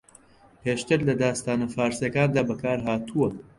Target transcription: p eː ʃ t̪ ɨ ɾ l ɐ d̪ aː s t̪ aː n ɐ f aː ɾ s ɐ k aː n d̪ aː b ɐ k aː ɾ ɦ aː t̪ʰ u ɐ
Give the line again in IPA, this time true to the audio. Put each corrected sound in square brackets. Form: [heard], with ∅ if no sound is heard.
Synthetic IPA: p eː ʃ t̪ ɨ ɾ l ɐ d̪ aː s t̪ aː n ɐ f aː ɾ s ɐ k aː n d̪ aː b ɐ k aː ɾ ɦ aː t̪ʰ u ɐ